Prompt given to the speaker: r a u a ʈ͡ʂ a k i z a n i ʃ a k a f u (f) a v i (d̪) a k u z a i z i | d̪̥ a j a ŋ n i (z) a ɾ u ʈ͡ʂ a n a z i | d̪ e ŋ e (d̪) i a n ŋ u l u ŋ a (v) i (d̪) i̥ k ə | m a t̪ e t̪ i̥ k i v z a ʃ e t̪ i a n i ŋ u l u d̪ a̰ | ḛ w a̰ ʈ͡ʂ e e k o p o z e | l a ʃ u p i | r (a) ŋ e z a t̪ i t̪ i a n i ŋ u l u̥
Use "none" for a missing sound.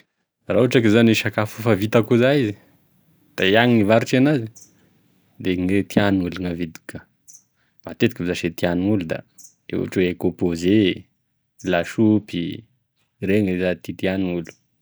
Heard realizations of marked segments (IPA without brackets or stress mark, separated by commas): f, t̪, v, t̪, v, d̪, e